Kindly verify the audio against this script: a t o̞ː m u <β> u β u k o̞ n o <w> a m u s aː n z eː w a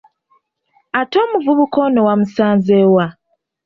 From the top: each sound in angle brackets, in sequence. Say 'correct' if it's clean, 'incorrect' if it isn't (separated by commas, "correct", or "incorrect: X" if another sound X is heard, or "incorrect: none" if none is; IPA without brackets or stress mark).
incorrect: v, correct